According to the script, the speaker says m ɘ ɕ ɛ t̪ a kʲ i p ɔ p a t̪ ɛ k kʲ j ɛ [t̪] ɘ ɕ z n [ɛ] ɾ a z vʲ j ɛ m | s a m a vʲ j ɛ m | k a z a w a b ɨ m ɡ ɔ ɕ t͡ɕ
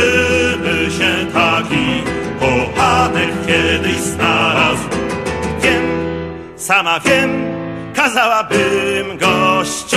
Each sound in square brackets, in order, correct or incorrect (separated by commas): incorrect, incorrect